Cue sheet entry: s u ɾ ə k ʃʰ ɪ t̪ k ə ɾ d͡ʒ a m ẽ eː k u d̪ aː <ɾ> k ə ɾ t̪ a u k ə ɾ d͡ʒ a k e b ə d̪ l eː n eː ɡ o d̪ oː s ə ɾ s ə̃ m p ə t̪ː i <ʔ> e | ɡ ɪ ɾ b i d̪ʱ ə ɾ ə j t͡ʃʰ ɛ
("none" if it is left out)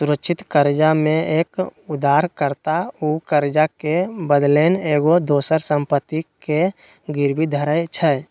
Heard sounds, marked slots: ɾ, k

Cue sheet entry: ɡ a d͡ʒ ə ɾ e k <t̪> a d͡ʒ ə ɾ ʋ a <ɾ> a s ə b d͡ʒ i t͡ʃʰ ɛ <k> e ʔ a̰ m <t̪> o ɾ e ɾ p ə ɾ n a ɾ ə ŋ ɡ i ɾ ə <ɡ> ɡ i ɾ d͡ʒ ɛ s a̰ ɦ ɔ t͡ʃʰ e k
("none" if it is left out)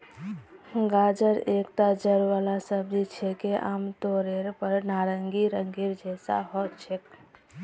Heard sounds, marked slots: t̪, l, k, t̪, ŋ

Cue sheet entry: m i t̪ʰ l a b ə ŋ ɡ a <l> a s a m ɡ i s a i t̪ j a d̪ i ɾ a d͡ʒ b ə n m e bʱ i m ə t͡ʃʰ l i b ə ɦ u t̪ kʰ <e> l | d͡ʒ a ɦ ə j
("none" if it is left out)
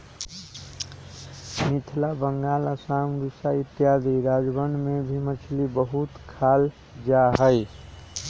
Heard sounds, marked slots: l, a

